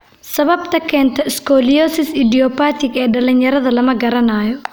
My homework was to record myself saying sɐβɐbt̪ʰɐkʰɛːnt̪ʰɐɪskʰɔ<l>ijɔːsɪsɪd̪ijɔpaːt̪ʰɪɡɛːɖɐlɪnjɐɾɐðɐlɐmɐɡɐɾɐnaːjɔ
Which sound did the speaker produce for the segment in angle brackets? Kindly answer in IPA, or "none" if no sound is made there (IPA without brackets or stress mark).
l